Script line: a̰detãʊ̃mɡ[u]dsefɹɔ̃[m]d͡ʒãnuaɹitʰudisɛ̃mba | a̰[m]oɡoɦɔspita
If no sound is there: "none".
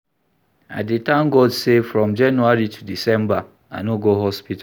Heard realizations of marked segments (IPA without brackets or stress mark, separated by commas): ɔ, m, n